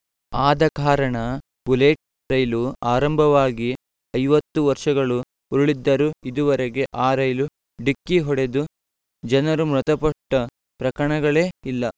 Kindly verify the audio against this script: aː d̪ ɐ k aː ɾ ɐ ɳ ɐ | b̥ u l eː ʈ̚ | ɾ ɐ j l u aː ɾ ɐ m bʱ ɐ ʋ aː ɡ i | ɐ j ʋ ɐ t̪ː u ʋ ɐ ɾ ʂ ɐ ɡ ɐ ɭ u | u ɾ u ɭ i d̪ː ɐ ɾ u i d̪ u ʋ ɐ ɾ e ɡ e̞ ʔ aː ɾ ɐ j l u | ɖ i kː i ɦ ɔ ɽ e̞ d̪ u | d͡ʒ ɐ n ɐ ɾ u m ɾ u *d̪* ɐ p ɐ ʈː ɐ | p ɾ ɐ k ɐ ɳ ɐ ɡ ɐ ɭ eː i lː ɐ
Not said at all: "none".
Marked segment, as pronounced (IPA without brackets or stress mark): t̪